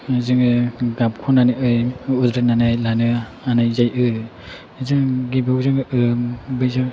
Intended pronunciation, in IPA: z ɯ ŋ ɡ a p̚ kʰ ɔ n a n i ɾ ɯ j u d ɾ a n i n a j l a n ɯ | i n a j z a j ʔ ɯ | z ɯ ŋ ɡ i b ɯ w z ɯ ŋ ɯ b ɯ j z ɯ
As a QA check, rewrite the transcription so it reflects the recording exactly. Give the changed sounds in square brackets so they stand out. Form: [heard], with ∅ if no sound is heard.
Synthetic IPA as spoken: z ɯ ŋ ɡ a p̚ kʰ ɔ n a n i [∅] ɯ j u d ɾ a n [a] n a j l a n ɯ | [a] n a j z a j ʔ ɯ | z ɯ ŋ ɡ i b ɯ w z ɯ ŋ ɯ b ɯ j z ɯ